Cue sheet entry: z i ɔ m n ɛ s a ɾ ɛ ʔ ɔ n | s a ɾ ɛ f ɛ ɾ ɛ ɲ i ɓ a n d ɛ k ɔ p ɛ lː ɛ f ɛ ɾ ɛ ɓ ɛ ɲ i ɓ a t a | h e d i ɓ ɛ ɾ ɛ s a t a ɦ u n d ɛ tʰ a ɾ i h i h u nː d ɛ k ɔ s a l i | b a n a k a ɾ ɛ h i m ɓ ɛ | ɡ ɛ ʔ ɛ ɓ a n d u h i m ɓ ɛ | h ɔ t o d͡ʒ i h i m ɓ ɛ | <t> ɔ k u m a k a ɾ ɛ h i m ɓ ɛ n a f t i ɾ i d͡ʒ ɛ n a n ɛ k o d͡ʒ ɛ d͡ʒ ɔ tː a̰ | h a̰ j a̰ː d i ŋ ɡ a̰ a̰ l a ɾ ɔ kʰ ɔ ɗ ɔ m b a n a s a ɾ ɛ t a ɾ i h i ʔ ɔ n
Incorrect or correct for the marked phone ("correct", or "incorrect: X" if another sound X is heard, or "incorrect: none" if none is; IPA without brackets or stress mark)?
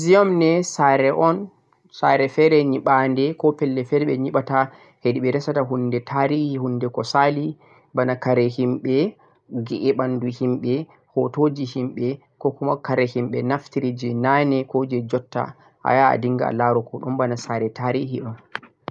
incorrect: k